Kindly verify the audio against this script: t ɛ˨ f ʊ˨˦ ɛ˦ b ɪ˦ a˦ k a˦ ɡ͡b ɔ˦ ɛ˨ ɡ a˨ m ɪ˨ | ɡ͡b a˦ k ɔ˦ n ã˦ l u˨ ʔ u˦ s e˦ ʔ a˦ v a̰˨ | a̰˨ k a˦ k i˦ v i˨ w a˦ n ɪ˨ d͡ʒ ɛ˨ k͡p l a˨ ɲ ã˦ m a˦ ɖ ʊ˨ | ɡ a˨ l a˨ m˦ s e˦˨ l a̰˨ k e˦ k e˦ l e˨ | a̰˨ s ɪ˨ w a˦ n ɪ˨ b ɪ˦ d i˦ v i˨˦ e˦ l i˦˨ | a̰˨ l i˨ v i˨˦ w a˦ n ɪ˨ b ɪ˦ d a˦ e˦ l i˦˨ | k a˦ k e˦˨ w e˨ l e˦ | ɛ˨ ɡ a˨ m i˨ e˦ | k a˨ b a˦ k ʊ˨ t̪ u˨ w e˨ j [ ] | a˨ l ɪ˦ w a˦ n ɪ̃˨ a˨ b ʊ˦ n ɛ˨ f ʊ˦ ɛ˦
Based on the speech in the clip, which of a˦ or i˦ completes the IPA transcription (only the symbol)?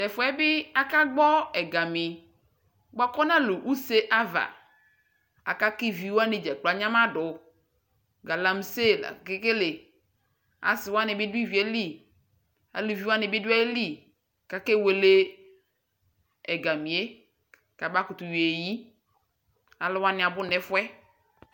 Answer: i˦